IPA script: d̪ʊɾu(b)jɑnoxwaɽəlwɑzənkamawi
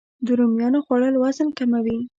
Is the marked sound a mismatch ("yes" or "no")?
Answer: yes